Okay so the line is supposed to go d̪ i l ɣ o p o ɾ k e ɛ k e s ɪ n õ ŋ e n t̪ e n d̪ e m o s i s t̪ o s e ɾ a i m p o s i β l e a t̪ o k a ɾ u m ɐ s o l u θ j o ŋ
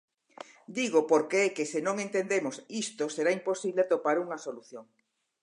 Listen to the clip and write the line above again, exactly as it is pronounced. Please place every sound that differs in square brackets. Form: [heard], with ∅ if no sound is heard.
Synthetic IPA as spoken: d̪ i [∅] ɣ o p o ɾ k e ɛ k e s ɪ n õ ŋ e n t̪ e n d̪ e m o s i s t̪ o s e ɾ a i m p o s i β l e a t̪ o [p] a ɾ u [ŋ] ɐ s o l u θ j o ŋ